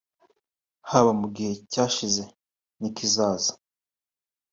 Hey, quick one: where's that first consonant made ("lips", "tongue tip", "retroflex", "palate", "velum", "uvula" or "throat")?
throat